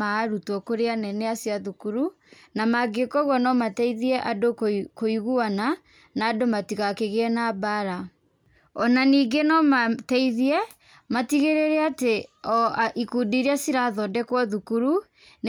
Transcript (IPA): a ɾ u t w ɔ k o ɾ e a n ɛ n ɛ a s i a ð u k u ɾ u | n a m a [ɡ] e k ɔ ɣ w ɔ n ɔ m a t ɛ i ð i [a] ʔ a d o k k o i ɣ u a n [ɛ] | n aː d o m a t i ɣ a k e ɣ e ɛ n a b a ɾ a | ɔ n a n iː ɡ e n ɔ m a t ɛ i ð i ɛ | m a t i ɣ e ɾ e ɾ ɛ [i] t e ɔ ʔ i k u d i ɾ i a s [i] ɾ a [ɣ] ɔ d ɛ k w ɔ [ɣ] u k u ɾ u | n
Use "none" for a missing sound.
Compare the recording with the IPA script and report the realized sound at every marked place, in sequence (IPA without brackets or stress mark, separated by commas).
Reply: ɡ, ɛ, a, a, i, ð, ð